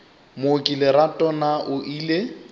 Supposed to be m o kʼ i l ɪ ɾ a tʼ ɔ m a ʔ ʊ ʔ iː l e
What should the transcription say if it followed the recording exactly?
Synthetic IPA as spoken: m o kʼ i l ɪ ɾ a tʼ ɔ n a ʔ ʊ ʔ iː l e